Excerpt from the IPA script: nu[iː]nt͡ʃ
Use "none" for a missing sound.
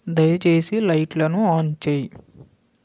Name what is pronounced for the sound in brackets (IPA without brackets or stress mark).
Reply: aː